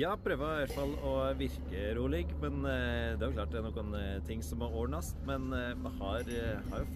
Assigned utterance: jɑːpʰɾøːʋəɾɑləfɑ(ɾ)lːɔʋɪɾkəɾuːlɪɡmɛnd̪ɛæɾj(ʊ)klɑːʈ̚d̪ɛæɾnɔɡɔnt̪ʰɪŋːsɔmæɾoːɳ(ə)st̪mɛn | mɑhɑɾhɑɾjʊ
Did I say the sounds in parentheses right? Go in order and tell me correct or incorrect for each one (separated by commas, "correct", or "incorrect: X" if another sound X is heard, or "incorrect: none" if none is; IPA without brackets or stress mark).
incorrect: none, correct, incorrect: ɑ